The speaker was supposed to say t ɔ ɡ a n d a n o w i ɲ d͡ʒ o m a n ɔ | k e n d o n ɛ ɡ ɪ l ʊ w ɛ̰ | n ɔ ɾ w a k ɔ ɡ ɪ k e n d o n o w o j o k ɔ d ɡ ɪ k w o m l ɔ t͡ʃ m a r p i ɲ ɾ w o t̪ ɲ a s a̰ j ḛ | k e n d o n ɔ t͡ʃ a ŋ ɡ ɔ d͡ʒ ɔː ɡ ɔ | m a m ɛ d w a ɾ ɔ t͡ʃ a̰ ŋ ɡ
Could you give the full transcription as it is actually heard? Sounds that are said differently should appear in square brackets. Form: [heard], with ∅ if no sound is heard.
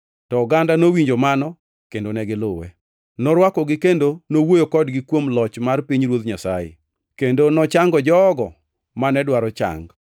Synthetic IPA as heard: t ɔ ɡ a n d a n o w i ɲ d͡ʒ o m a n ɔ | k e n d o n ɛ ɡ ɪ l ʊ w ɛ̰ | n ɔ ɾ w a k ɔ ɡ ɪ k e n d o n o w o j o k ɔ d ɡ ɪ k w o m l ɔ t͡ʃ m a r p i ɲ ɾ w o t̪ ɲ a s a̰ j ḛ | k e n d o n ɔ t͡ʃ a ŋ ɡ ɔ d͡ʒ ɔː ɡ ɔ | m a [n] ɛ d w a ɾ ɔ t͡ʃ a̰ ŋ ɡ